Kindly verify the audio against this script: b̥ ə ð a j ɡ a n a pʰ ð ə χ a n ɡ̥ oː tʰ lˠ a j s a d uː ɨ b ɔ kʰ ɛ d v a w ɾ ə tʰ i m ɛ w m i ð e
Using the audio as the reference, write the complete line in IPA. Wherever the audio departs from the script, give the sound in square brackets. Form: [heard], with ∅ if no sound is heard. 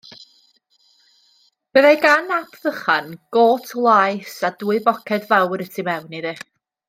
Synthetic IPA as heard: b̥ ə ð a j ɡ a n a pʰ ð ə χ a n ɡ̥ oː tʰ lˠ a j s a d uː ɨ b ɔ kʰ ɛ d v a w ɾ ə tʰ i m ɛ w [n] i ð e